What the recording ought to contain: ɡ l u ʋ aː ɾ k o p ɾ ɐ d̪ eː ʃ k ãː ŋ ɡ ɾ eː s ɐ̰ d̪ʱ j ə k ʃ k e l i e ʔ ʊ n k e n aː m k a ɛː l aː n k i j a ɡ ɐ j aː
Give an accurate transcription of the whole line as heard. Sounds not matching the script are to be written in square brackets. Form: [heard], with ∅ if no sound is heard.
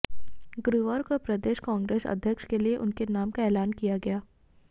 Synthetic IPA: ɡ [ɾ] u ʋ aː ɾ k o p ɾ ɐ d̪ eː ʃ k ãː ŋ ɡ ɾ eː s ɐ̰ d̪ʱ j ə k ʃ k e l i e ʔ ʊ n k e n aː m k a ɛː l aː n k i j a ɡ ɐ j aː